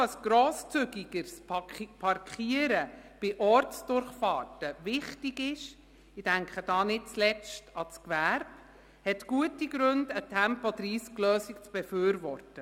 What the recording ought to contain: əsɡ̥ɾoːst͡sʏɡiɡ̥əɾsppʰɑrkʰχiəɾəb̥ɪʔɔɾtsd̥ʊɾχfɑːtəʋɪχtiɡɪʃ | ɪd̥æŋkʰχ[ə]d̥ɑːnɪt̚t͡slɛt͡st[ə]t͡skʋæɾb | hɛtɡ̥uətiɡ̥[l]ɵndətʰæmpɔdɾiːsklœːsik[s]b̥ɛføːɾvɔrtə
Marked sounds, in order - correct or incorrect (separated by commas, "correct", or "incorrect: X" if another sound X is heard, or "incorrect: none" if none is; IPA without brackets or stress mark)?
correct, incorrect: ɑ, incorrect: ɾ, incorrect: t͡s